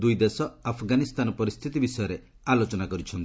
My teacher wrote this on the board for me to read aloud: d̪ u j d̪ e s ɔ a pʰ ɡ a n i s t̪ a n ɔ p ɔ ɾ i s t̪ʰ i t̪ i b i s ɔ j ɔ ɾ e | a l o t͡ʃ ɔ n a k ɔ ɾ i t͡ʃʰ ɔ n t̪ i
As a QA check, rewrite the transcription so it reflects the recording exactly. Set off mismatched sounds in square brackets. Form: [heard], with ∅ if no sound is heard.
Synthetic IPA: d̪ u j d̪ e s ɔ a pʰ ɡ a n i s t̪ a n ɔ p ɔ ɾ i s t̪ʰ i t̪ i b i s ɔ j ɔ ɾ e | a l o t͡ʃ ɔ n a k ɔ ɾ i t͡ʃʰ ɔ n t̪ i

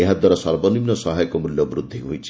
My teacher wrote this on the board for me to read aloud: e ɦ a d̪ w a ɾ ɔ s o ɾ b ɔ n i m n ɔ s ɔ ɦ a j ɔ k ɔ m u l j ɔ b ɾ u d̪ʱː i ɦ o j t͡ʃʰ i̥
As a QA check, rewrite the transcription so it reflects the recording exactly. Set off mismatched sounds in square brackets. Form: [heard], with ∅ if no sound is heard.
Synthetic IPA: e ɦ a d̪ w a ɾ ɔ s [ɔ] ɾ b ɔ n i m n ɔ s ɔ ɦ a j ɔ k ɔ m u l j ɔ b ɾ u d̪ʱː i ɦ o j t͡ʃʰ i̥

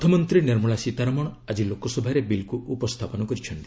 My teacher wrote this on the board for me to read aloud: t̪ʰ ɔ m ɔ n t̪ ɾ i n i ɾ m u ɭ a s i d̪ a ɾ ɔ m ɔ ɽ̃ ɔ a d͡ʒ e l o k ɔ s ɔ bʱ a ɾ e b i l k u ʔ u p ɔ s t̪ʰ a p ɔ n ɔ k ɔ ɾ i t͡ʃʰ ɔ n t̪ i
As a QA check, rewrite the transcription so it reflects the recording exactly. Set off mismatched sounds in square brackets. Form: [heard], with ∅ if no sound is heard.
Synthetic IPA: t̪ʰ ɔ m ɔ n t̪ ɾ i n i ɾ m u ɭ a s i [t̪] a ɾ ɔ m ɔ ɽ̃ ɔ a d͡ʒ [i] l o k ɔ s ɔ bʱ a ɾ e b i l k u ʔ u p ɔ s t̪ʰ a p ɔ n ɔ k ɔ ɾ i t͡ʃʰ ɔ n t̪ i

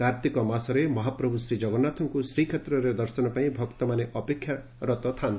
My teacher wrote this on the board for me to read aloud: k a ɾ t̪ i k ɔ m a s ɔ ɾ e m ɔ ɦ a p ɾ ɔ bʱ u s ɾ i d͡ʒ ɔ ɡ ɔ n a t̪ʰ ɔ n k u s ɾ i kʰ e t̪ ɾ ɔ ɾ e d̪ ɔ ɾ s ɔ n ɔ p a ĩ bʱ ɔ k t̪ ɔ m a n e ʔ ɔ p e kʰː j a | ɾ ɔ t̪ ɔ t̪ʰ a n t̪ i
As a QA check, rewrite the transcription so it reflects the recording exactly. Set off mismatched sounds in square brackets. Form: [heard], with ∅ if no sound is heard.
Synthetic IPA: k a ɾ t̪ i k ɔ m a s ɔ ɾ e m ɔ ɦ a p ɾ ɔ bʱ u s ɾ i d͡ʒ ɔ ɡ ɔ n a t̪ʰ ɔ [ŋ] k u s ɾ i kʰ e t̪ ɾ ɔ ɾ e d̪ ɔ ɾ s ɔ n ɔ p a ĩ bʱ ɔ k t̪ ɔ m a n e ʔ ɔ p e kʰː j a | ɾ ɔ t̪ ɔ t̪ʰ a n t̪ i

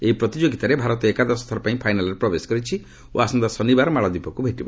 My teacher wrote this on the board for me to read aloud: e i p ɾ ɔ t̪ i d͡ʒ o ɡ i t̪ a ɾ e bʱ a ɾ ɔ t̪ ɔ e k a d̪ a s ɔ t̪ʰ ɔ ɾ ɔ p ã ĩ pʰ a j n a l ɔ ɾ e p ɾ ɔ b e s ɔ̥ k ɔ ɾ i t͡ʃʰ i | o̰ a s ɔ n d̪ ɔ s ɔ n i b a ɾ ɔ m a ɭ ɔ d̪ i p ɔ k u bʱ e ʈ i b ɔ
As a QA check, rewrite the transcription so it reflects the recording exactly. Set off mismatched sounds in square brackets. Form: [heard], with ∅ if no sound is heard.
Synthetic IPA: e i p ɾ ɔ t̪ i d͡ʒ o ɡ i t̪ a ɾ e bʱ a ɾ ɔ t̪ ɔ e k a d̪ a s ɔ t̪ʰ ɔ ɾ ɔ p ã ĩ pʰ a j n a l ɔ ɾ e p ɾ ɔ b e s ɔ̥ k ɔ ɾ i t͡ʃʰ i | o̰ a s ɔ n d̪ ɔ s ɔ n i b a ɾ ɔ m a ɭ ɔ d̪ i p ɔ k u bʱ e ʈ i b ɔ

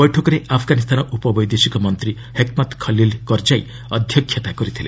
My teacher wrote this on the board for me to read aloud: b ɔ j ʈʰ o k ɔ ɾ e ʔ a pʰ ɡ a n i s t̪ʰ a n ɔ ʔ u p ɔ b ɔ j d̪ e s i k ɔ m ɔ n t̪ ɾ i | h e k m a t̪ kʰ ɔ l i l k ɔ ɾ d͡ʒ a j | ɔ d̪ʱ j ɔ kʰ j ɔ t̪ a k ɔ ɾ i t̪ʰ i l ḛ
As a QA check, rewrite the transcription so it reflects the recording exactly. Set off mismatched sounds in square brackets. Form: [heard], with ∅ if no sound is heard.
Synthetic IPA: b ɔ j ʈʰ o k ɔ ɾ e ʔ a pʰ ɡ a n i s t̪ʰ a n ɔ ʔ u p ɔ b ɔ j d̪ e s i k ɔ m ɔ n t̪ ɾ i | h e k m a t̪ kʰ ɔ l i l k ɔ ɾ d͡ʒ a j | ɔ d̪ʱ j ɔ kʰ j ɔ t̪ a k ɔ ɾ i t̪ʰ i l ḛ

